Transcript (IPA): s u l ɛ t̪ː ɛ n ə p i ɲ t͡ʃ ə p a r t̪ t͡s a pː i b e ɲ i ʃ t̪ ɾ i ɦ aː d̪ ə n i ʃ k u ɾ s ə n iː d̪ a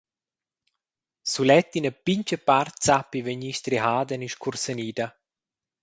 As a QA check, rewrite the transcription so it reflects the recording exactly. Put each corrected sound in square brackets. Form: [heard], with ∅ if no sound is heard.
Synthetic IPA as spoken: s u l ɛ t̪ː [i] n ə p i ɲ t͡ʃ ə p a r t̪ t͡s a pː i [v] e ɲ i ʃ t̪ ɾ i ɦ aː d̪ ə n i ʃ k u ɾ s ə n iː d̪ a